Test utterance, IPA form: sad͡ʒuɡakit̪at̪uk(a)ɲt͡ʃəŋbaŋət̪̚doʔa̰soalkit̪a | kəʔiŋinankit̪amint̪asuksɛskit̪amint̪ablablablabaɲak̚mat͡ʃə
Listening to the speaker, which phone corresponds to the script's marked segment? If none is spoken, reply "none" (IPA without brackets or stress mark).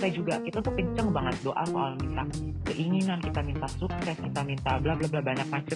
ə